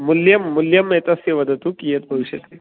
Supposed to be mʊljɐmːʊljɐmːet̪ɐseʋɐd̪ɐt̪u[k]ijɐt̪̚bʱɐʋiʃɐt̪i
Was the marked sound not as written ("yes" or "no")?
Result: no